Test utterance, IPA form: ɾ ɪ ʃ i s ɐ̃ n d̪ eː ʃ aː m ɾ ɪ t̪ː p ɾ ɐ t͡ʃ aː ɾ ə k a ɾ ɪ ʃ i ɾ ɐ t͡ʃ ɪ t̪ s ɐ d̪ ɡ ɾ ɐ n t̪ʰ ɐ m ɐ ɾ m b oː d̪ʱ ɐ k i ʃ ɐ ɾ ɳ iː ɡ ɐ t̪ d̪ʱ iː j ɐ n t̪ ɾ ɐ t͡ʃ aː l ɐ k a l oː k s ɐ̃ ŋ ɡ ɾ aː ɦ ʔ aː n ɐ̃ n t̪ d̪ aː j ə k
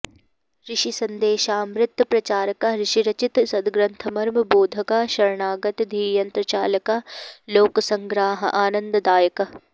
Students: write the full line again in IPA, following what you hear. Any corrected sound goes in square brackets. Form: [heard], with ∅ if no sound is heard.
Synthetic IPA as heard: ɾ ɪ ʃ i s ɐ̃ n d̪ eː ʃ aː m ɾ ɪ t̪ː p ɾ ɐ t͡ʃ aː ɾ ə k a ɾ ɪ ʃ i ɾ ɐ t͡ʃ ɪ t̪ s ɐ d̪ ɡ ɾ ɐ n t̪ʰ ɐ m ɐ ɾ m b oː d̪ʱ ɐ k [a] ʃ ɐ ɾ ɳ [aː] ɡ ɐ t̪ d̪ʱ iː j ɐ n t̪ ɾ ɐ t͡ʃ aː l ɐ k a l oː k s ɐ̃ ŋ ɡ ɾ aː ɦ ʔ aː n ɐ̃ n [d̪] d̪ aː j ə k